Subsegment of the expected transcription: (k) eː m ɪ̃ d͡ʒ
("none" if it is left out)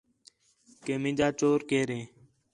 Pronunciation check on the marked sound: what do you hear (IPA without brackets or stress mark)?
k